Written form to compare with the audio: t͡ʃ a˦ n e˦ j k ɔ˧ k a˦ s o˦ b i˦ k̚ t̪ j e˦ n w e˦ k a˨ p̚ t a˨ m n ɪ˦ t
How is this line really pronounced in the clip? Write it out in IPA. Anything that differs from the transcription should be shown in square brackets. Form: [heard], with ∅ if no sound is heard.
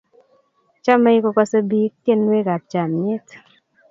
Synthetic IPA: t͡ʃ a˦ [m] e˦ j k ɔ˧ k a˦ s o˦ b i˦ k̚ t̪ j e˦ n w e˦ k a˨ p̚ [t͡ʃ] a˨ m [ɲ] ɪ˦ t